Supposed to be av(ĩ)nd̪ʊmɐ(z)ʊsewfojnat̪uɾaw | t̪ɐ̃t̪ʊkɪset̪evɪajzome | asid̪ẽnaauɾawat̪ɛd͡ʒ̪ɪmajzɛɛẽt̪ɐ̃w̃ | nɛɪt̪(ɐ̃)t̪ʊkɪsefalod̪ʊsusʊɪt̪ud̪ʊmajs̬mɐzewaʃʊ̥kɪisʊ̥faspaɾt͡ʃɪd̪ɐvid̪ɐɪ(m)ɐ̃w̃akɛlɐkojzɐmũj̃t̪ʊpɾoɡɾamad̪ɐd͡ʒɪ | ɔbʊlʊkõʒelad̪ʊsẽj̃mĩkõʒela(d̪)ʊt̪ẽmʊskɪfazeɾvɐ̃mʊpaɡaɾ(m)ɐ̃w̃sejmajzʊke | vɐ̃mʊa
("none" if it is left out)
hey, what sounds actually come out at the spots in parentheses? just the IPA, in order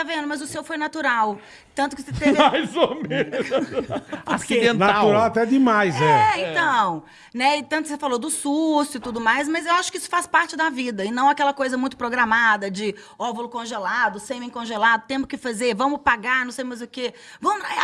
ẽ, z, ɐ̃, n, d̪, n

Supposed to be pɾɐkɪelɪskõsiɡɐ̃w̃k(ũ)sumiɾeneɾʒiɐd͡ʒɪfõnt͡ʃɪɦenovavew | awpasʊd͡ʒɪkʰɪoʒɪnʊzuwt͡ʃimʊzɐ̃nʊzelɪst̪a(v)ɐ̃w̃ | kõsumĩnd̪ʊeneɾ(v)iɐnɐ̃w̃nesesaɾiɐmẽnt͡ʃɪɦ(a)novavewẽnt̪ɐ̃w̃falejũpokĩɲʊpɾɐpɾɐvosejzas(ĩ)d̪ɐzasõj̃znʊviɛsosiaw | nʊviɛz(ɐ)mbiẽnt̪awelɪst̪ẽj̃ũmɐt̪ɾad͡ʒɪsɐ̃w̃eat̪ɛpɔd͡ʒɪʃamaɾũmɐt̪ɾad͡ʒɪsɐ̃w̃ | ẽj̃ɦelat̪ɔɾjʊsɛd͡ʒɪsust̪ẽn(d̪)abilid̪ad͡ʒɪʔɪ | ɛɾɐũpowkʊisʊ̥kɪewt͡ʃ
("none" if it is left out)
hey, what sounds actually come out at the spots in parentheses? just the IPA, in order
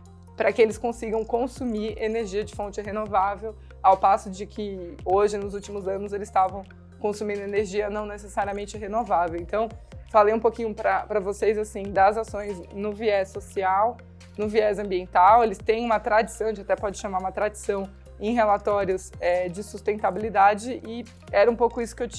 õ, v, ʒ, e, ĩ, ɐ̃, t̪

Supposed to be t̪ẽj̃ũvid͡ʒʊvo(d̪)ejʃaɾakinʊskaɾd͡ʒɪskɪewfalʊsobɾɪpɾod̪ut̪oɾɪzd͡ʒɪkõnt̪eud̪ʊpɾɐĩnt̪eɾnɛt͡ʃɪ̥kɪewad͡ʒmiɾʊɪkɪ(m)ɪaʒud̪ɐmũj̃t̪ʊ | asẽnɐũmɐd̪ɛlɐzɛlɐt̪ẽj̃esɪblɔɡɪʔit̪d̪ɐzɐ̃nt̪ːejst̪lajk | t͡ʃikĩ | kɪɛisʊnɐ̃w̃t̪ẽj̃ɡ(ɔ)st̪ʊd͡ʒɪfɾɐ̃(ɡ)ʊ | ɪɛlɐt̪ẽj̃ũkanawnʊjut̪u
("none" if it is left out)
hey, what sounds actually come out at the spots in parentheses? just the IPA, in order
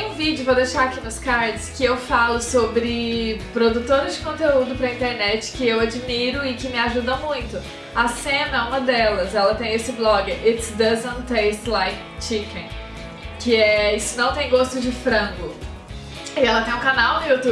d̪, m, o, ɡ

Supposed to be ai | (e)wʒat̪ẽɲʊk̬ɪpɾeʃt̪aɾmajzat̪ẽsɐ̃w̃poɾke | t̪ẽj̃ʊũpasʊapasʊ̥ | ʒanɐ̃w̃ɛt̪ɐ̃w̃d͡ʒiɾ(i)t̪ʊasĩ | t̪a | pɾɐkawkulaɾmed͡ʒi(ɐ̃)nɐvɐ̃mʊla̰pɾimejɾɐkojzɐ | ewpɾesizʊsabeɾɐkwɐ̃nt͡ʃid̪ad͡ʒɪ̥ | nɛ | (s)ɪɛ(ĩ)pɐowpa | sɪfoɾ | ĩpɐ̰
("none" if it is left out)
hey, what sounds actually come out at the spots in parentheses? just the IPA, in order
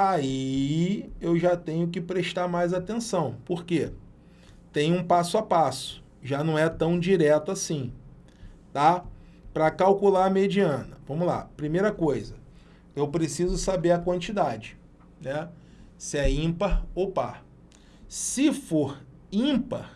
e, ɛ, ɐ̃, s, ĩ

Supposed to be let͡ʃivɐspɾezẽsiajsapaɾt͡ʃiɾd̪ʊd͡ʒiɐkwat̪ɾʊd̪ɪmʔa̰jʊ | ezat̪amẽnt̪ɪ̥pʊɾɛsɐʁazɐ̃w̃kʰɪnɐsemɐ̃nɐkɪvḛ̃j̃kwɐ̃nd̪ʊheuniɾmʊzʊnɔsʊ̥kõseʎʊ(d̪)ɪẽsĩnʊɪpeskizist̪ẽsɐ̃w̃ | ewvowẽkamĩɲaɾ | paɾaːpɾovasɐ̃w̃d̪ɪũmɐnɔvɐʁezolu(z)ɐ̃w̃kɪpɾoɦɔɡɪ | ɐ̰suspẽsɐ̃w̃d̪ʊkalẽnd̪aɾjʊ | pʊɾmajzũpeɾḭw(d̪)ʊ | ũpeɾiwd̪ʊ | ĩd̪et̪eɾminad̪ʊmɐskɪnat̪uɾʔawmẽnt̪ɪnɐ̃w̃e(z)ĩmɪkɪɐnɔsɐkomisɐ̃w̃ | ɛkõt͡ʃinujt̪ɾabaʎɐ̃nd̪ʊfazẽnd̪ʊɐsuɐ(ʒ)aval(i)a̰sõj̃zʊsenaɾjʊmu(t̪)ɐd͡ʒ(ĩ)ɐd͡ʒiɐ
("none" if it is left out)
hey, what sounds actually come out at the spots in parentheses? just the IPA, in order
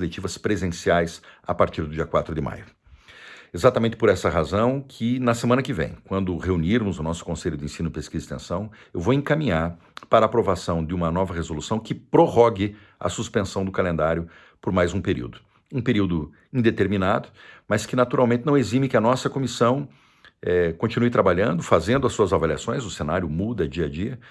d̪, s, d̪, z, z, i, d̪, i

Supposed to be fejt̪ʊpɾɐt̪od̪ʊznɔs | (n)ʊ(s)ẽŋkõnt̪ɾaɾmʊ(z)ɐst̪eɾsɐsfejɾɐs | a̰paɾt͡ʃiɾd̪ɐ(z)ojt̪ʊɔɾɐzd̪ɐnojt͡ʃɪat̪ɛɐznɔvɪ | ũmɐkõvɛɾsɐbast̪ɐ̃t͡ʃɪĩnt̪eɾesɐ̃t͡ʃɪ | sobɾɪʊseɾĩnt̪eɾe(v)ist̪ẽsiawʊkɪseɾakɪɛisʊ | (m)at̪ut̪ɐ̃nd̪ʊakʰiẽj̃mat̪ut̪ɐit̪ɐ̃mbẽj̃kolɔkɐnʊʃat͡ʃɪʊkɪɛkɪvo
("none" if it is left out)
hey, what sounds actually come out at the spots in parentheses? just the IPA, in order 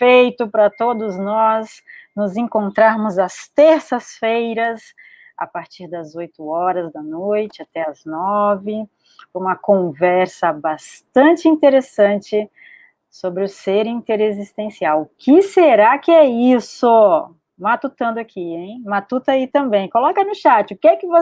n, z, z, z, z, m

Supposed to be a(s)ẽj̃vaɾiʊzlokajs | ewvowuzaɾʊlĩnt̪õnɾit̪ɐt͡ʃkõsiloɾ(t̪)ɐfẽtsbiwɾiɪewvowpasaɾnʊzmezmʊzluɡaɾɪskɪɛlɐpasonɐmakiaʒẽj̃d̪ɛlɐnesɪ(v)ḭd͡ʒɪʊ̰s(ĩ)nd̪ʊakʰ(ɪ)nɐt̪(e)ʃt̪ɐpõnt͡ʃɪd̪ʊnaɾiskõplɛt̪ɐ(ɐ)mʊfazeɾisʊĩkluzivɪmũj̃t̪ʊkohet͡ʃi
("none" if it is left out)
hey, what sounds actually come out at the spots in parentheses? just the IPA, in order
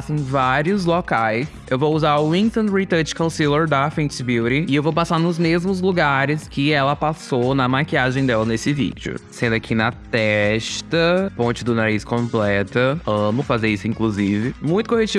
s, d̪, v, ẽ, i, ɛ, ɐ̃

